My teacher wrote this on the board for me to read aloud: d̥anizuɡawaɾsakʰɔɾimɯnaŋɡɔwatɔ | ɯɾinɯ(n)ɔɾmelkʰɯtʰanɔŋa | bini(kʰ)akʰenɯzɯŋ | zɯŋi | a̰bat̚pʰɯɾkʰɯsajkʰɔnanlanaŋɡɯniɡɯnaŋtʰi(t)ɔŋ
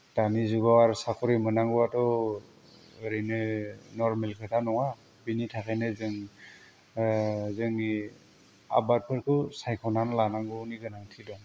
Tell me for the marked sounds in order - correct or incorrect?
correct, incorrect, incorrect

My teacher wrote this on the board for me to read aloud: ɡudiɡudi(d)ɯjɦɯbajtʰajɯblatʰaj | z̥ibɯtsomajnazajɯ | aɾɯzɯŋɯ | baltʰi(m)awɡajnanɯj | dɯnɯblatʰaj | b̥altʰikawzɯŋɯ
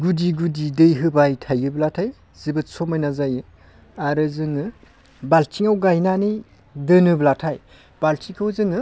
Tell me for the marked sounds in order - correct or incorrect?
correct, incorrect

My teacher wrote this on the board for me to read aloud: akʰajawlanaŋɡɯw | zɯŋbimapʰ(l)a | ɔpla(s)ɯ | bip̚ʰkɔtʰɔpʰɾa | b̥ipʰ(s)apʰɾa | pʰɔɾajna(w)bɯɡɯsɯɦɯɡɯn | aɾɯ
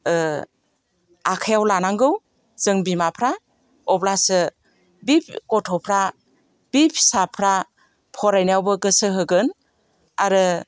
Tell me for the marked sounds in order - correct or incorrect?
incorrect, correct, correct, correct

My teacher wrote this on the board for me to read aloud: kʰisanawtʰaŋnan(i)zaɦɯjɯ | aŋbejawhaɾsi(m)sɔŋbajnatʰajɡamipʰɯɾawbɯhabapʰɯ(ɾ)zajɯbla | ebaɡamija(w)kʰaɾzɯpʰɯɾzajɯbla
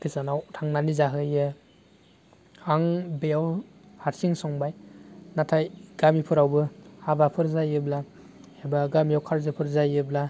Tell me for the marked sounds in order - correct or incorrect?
correct, incorrect, correct, correct

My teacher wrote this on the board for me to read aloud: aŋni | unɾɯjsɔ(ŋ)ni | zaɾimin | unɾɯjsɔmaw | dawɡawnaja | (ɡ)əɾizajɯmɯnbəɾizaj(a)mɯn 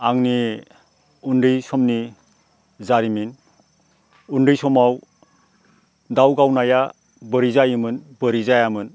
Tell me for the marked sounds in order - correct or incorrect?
incorrect, incorrect, correct

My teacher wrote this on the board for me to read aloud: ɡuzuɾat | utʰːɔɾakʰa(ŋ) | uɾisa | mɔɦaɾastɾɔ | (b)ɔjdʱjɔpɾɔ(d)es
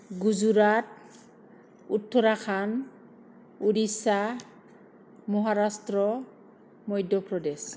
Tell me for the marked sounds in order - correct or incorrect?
incorrect, incorrect, correct

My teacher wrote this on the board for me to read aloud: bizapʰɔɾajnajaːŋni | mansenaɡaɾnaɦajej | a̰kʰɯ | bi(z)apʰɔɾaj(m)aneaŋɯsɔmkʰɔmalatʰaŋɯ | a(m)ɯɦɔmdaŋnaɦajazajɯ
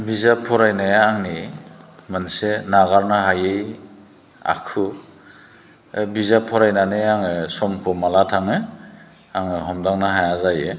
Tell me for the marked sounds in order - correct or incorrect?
correct, incorrect, incorrect

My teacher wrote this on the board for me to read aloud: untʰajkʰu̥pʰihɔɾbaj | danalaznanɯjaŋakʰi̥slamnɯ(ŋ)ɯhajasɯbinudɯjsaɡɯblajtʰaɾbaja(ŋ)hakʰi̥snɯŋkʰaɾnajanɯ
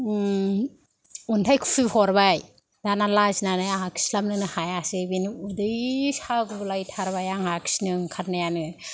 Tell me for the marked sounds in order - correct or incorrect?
incorrect, correct

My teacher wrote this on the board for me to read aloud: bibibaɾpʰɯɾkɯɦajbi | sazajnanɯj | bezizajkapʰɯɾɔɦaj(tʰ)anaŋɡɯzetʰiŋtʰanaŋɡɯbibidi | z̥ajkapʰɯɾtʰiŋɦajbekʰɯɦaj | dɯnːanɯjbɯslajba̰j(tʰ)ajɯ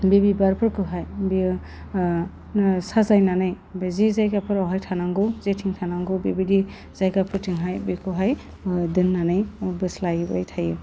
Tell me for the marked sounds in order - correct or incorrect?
correct, correct

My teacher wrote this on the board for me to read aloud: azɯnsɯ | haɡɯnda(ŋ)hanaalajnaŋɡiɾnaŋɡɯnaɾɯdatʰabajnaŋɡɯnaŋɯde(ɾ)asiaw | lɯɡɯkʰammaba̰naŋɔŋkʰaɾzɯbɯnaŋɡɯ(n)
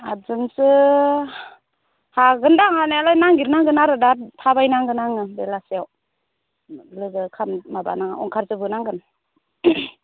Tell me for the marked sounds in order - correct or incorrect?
correct, incorrect, correct

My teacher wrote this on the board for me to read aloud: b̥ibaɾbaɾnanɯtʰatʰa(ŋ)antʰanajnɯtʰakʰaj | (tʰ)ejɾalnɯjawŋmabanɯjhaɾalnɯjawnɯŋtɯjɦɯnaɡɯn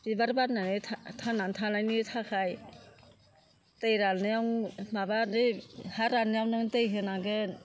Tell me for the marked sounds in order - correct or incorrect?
incorrect, incorrect

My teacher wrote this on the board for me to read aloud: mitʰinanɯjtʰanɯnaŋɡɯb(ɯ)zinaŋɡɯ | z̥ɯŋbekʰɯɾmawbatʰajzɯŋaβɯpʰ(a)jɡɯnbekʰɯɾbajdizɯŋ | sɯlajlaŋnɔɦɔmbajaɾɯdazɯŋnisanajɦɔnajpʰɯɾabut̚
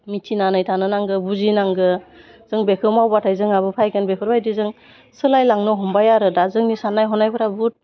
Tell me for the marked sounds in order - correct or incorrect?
incorrect, correct

